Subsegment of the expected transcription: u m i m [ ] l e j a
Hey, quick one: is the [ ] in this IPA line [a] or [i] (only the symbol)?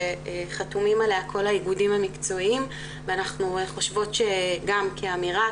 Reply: a